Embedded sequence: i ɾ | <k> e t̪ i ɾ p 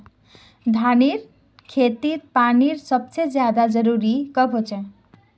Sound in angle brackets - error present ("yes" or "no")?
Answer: yes